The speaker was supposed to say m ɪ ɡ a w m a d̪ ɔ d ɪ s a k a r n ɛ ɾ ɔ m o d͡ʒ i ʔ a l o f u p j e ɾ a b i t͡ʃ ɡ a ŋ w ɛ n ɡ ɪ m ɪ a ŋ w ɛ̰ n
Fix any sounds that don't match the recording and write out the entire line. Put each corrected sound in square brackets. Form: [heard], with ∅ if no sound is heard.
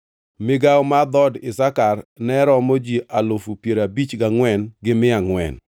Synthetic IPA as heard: m ɪ ɡ a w m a d̪ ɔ d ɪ s a k a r n ɛ ɾ ɔ m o d͡ʒ i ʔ a l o f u p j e ɾ a b i t͡ʃ ɡ a ŋ w ɛ n ɡ ɪ m ɪ a ŋ w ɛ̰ n

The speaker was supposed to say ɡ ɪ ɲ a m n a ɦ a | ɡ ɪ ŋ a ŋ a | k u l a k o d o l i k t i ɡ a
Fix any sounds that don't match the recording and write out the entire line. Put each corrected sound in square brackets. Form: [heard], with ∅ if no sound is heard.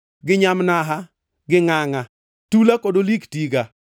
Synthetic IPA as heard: ɡ ɪ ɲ a m n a ɦ a | ɡ ɪ ŋ a ŋ a | [t] u l a k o d o l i k t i ɡ a

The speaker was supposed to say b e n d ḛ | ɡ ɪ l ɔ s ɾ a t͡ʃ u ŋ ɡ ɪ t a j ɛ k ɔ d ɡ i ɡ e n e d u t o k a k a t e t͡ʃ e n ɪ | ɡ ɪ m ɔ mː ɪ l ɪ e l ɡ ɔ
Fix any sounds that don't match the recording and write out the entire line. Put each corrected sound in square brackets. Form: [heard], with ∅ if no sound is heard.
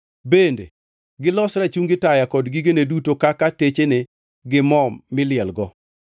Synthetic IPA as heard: b e n d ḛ | ɡ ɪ l ɔ s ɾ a t͡ʃ u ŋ ɡ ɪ t a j [a] k ɔ d ɡ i ɡ e n e d u t o k a k a t e t͡ʃ e n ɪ | ɡ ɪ m ɔ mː ɪ l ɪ [ɛ] l ɡ ɔ

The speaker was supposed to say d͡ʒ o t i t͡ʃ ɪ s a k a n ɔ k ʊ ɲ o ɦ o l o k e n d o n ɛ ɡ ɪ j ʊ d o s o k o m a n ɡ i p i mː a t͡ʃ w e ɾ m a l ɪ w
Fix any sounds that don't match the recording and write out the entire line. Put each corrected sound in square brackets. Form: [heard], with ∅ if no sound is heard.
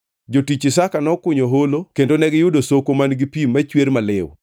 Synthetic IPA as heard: d͡ʒ o t i t͡ʃ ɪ s a k a n ɔ k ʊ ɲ o ɦ o l o k e n d o n ɛ ɡ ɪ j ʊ d o s o k o m a n ɡ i p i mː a t͡ʃ w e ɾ m a l ɪ w

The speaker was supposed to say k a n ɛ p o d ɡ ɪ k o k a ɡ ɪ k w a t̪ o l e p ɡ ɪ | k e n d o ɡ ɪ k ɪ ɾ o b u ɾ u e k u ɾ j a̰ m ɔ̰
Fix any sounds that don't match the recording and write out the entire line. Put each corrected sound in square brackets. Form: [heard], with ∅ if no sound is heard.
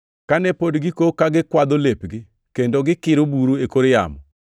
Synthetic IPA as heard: k a n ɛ p o d ɡ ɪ k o k a ɡ ɪ k w a [d̪] o l e p ɡ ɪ | k e n d o ɡ ɪ k ɪ ɾ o b u ɾ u e k [o] ɾ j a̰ m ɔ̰

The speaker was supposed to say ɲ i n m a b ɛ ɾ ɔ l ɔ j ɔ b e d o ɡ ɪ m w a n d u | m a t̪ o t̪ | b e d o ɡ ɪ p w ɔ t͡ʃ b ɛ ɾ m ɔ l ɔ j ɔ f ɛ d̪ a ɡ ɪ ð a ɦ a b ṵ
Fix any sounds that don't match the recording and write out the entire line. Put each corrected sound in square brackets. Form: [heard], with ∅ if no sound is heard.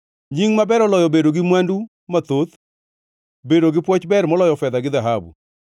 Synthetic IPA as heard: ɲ i [ŋ] m a b ɛ ɾ ɔ l ɔ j ɔ b e d o ɡ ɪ m w a n d u | m a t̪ o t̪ | b e d o ɡ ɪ p w ɔ t͡ʃ b ɛ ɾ m ɔ l ɔ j ɔ f ɛ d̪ a ɡ ɪ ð a ɦ a b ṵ

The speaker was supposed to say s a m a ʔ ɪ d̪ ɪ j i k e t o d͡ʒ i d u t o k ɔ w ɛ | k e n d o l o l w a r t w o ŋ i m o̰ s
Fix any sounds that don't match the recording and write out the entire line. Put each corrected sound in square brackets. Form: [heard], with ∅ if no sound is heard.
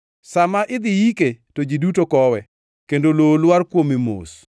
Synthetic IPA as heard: s a m a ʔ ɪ d̪ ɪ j i k e t o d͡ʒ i d u t o k ɔ w ɛ | k e n d o l o l w a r [k] w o [m] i m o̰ s

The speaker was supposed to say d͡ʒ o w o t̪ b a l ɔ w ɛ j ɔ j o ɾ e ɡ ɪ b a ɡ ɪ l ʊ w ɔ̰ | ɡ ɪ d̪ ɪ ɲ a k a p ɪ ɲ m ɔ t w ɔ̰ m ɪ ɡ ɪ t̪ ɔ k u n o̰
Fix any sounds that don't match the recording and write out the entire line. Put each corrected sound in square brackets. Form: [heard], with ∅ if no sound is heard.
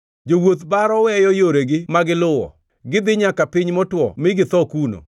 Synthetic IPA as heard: d͡ʒ o w o t̪ b a [ɾ] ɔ w ɛ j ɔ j o ɾ e ɡ ɪ [m] a ɡ ɪ l ʊ w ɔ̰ | ɡ ɪ d̪ ɪ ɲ a k a p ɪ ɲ m ɔ t w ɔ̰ m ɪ ɡ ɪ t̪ ɔ k u n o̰

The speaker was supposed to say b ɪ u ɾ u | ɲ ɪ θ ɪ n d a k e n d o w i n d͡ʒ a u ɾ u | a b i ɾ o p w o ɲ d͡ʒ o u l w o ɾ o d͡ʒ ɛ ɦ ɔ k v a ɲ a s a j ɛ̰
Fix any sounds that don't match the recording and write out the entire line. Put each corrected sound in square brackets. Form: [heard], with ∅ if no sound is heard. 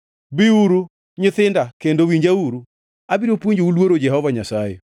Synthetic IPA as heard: b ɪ u ɾ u | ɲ ɪ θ ɪ n d a k e n d o w i [ɲ] d͡ʒ a u ɾ u | a b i ɾ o p w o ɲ d͡ʒ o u l w o ɾ o d͡ʒ ɛ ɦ ɔ [∅] v a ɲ a s a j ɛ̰

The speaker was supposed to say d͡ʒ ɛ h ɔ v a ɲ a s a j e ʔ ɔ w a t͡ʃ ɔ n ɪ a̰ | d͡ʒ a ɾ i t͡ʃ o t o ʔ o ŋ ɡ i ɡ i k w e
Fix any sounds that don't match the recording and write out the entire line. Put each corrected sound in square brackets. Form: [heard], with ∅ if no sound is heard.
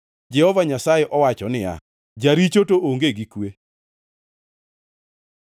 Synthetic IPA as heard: d͡ʒ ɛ h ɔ v a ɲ a s a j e ʔ ɔ w a t͡ʃ ɔ n ɪ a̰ | d͡ʒ a ɾ i t͡ʃ o t o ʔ o ŋ ɡ [e] ɡ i k w e

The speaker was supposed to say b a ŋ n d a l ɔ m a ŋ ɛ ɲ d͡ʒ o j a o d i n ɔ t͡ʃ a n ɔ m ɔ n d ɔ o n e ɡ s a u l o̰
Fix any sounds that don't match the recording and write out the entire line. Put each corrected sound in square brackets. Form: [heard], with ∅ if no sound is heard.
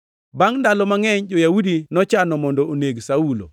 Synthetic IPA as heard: b a ŋ n d a l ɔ m a ŋ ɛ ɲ d͡ʒ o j a [u] d i n ɔ t͡ʃ a n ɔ m ɔ n d ɔ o n e ɡ s a u l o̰

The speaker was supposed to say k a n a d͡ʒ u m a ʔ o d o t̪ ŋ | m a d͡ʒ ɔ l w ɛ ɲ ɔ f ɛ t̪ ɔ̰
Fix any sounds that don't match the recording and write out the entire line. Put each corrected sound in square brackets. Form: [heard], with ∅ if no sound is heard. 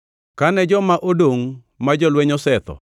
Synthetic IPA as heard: k a n [ɛ] d͡ʒ [ɔ] m a ʔ o d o [∅] ŋ | m a d͡ʒ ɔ l w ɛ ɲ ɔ [s] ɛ t̪ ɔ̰

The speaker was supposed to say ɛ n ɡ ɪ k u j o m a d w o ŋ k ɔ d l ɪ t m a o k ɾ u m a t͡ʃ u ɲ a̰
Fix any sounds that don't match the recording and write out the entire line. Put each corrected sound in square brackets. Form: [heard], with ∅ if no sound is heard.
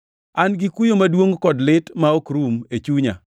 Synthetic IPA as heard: [a] n ɡ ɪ k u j o m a d w o ŋ k ɔ d l ɪ t m a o k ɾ u m [e] t͡ʃ u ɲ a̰

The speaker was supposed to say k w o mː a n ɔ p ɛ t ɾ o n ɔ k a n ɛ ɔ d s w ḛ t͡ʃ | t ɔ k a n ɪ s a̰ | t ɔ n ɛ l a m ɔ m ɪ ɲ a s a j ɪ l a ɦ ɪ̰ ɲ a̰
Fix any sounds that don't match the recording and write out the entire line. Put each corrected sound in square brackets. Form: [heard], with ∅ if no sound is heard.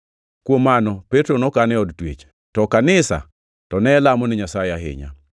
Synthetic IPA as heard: k w o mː a n ɔ p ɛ t ɾ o n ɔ k a n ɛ ɔ d [t] w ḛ t͡ʃ | t ɔ k a n ɪ s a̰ | t ɔ n ɛ l a m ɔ [n] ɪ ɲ a s a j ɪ [∅] a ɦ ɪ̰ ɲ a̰

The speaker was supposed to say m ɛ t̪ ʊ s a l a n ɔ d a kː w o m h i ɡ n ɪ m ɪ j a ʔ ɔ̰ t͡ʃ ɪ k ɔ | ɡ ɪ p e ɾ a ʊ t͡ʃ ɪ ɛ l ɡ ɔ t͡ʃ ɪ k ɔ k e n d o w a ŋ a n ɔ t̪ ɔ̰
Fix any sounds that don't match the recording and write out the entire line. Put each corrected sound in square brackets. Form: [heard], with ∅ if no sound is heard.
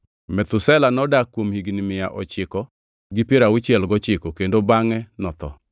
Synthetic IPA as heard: m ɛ t̪ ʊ s [ɛ] l a n ɔ d a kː w o m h i ɡ n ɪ m ɪ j a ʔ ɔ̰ t͡ʃ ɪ k ɔ | ɡ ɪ p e ɾ a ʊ t͡ʃ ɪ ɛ l ɡ ɔ t͡ʃ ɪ k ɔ k e n d o [b] a ŋ [ɛ] n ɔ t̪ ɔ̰

